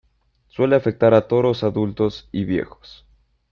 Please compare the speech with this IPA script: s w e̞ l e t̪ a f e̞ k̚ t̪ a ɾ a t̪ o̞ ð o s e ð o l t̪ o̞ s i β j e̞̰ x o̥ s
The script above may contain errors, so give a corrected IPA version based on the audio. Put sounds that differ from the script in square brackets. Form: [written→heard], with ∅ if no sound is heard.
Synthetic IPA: s w e̞ l e [t̪→∅] a f e̞ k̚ t̪ a ɾ a t̪ o̞ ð o s [e→a] ð [o→u] l t̪ o̞ s i β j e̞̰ x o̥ s